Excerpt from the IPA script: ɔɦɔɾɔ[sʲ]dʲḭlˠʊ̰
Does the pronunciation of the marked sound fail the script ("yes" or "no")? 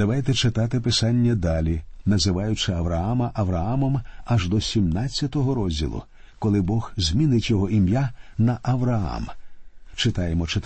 yes